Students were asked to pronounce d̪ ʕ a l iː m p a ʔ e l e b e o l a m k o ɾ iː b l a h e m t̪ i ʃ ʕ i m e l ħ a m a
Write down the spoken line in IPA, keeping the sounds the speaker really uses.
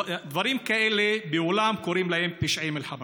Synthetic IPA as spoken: d̪ v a ɾ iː m k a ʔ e l e b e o l a m k o ɾ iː m l a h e m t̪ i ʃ ʕ i m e l ħ a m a